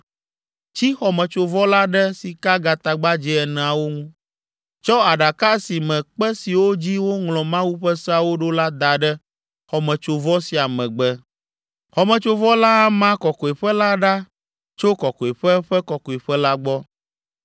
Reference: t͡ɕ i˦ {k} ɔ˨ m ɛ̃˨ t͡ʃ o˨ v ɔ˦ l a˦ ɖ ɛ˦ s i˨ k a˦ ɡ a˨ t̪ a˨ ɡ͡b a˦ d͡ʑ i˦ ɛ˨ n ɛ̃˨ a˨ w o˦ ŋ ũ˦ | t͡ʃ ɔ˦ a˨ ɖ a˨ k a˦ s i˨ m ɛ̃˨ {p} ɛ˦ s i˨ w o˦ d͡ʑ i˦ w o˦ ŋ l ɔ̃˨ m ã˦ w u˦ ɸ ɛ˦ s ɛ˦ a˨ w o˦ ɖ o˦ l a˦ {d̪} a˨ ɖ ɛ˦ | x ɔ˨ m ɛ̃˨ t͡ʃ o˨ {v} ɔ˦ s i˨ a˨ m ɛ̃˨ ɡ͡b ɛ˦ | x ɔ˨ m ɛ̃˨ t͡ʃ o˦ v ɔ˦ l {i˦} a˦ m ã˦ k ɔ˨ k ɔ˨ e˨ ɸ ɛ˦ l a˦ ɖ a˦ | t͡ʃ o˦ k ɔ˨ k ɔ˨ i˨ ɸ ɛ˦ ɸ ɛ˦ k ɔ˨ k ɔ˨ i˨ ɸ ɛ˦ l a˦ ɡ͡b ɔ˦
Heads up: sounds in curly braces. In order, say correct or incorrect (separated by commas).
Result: incorrect, incorrect, correct, correct, incorrect